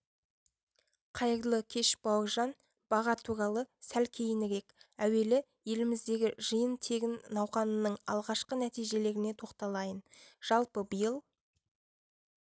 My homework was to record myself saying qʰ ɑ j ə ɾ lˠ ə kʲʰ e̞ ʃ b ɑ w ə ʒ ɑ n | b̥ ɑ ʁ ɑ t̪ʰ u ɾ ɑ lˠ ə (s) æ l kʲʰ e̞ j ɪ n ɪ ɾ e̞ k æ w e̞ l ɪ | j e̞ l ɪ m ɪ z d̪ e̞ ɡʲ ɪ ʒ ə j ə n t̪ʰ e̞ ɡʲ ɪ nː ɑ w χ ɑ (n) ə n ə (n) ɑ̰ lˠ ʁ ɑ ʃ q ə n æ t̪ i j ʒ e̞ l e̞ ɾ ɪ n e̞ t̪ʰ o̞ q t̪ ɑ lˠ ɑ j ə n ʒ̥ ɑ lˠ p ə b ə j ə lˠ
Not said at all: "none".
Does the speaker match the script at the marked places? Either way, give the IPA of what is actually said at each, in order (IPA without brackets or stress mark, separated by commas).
s, n, ɴ